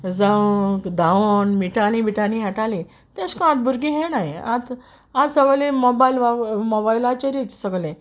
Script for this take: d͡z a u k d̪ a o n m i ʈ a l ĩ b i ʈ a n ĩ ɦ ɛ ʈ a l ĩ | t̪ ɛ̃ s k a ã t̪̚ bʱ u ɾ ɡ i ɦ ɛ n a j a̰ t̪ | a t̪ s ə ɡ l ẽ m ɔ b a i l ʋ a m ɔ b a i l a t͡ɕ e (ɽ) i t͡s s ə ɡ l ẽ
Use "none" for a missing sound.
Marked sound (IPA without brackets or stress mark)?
ɾ